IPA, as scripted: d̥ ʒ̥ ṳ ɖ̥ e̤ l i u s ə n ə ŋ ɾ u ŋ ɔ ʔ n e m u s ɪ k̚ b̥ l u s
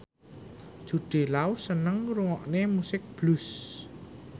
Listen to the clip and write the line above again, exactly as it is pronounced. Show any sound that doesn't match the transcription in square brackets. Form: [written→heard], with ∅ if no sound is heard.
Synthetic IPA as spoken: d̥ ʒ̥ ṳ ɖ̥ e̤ l [i→a] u s ə n ə ŋ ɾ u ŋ ɔ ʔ n e m u s ɪ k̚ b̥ l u s